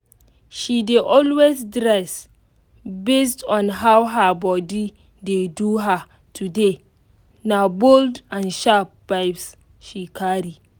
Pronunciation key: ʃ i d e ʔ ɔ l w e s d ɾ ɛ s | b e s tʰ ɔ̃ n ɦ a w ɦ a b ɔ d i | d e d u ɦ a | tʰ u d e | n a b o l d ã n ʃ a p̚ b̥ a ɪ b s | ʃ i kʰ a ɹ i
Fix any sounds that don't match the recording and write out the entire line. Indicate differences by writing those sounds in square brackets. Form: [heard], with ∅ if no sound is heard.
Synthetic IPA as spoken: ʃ i d e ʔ ɔ l w e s d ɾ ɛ s | b e s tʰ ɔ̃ n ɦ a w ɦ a b ɔ d i | d e d u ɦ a | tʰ u d e | n a b o l d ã n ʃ a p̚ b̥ a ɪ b s | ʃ i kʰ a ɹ i